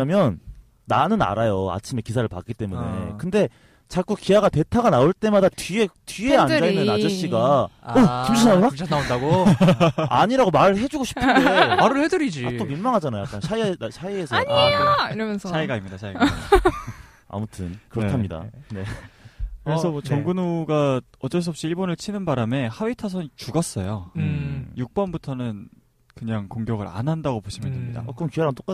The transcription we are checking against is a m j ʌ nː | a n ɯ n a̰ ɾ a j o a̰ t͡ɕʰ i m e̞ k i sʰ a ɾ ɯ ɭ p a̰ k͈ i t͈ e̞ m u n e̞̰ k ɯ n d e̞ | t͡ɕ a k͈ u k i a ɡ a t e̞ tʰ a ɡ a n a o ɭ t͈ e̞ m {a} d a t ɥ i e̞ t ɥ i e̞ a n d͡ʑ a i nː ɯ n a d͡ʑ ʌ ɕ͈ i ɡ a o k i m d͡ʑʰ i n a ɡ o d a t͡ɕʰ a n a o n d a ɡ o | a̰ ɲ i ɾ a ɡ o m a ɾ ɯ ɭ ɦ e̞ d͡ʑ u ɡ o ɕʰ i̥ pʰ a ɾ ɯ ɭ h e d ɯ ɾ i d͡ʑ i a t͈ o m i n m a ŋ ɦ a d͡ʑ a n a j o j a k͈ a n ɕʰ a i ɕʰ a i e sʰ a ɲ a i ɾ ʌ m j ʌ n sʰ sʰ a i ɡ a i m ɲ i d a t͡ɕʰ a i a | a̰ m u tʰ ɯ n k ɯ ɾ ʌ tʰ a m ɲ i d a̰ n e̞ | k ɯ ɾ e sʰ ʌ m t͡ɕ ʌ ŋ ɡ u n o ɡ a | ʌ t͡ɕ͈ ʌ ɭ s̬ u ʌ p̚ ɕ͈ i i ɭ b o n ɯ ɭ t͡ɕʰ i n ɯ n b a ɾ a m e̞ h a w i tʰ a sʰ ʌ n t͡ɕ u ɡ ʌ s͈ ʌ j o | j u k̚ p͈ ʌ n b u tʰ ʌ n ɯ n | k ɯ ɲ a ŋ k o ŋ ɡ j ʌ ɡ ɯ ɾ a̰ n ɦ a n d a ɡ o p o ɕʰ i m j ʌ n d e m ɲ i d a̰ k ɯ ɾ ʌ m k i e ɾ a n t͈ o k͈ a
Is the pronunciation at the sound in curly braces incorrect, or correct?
correct